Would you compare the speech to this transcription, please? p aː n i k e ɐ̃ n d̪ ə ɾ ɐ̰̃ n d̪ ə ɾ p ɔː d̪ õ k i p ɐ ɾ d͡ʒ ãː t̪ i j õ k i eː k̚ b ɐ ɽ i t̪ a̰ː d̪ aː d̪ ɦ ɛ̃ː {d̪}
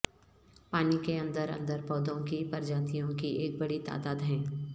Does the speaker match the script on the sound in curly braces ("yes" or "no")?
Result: no